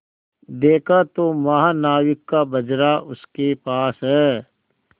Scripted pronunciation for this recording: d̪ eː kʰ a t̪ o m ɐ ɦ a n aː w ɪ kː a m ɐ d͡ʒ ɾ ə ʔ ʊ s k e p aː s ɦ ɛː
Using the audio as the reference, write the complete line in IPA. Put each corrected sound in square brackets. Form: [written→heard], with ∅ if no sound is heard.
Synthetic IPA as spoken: d̪ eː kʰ a t̪ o m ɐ ɦ a n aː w ɪ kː a [m→b] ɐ d͡ʒ ɾ [ə→a] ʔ ʊ s k e p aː s ɦ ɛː

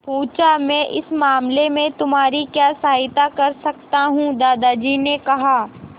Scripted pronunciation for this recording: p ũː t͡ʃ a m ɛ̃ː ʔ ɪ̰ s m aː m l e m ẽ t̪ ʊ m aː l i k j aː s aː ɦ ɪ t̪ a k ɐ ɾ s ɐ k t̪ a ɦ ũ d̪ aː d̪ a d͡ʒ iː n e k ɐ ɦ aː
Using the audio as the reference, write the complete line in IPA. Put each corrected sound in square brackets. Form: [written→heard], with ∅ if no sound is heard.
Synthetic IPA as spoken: p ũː t͡ʃ a m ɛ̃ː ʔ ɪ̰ s m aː m l e m ẽ t̪ ʊ m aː [l→ɾ] i k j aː s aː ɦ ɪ t̪ a k ɐ ɾ s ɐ k t̪ a ɦ ũ d̪ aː d̪ a d͡ʒ iː n e k ɐ ɦ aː

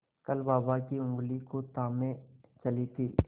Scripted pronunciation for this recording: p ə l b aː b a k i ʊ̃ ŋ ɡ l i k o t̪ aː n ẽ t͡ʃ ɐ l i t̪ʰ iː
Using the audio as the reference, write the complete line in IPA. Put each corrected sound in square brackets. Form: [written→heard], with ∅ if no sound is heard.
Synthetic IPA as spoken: [p→k] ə l b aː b a k i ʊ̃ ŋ ɡ l i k o t̪ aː [n→m] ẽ t͡ʃ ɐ l i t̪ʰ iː

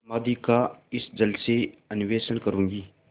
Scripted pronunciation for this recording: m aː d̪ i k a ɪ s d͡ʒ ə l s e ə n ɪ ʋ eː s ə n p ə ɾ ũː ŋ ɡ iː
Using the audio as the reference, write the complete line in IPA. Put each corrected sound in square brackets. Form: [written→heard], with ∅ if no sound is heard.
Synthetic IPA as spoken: m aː d̪ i k a ɪ s d͡ʒ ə l s e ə n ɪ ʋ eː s ə n [p→k] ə ɾ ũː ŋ ɡ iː

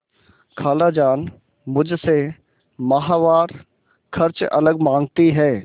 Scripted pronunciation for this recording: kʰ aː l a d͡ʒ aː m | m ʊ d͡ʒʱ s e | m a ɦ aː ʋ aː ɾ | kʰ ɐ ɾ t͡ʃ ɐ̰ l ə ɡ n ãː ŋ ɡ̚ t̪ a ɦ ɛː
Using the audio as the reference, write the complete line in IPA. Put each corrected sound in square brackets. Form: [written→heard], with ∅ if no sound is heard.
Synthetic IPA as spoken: kʰ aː l a d͡ʒ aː [m→n] | m ʊ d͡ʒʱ s e | m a ɦ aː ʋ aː ɾ | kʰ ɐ ɾ t͡ʃ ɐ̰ l ə ɡ [n→m] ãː ŋ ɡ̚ t̪ [a→i] ɦ ɛː

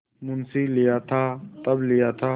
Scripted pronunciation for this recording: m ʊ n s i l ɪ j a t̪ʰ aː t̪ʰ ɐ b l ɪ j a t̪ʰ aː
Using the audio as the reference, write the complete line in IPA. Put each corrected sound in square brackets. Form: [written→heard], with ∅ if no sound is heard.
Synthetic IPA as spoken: m ʊ n s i l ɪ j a t̪ʰ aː [t̪ʰ→t̪] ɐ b l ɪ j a t̪ʰ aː

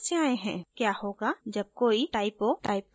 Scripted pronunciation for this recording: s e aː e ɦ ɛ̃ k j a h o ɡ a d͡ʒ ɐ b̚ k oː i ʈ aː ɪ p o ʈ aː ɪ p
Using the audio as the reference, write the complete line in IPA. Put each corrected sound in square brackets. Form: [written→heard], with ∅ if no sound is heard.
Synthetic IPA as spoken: s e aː e ɦ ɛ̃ k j a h o ɡ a d͡ʒ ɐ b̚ k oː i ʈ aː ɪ p o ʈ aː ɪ p

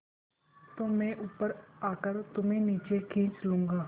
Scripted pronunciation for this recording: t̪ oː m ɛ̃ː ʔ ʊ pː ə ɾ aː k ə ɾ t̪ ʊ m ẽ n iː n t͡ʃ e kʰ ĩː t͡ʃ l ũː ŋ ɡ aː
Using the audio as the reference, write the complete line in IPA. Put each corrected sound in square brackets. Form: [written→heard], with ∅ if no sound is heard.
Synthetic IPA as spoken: t̪ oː m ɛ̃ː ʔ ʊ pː ə ɾ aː k ə ɾ t̪ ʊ m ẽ n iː [n→∅] t͡ʃ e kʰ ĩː t͡ʃ l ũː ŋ ɡ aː

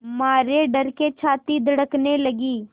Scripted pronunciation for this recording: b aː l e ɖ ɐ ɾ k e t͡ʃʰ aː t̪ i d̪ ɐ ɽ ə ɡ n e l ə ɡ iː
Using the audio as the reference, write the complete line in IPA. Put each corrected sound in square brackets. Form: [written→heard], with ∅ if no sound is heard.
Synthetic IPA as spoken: [b→m] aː [l→ɾ] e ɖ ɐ ɾ k e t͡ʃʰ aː t̪ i d̪ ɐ ɽ ə [ɡ→k] n e l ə ɡ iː

